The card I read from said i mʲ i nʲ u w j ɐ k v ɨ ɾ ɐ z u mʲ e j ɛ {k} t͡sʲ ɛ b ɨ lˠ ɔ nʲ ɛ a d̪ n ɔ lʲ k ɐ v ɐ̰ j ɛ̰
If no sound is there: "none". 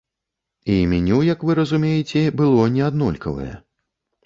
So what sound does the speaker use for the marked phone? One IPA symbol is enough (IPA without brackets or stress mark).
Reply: none